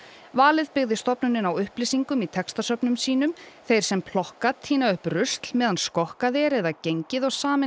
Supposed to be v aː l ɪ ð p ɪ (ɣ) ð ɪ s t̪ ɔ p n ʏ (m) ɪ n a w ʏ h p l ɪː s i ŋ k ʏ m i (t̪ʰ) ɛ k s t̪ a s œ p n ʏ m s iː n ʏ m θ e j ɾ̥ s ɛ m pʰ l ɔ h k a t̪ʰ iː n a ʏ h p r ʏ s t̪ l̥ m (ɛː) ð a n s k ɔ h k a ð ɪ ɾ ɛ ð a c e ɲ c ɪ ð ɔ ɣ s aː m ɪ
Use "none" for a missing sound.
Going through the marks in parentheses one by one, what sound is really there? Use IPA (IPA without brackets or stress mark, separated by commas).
ɣ, n, t̪ʰ, ɛː